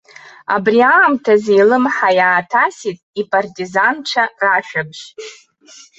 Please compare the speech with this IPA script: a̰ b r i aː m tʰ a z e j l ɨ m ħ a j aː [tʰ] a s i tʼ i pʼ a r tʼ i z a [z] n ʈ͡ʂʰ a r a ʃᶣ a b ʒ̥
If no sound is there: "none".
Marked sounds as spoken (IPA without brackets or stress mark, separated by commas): tʰ, none